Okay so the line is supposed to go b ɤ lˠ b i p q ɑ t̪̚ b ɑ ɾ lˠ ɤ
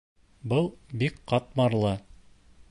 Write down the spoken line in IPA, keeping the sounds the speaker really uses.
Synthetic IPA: b ɤ lˠ b i k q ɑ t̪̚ m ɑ ɾ lˠ ɤ